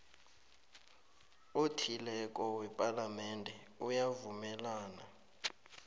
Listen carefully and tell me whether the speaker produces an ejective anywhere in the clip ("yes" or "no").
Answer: yes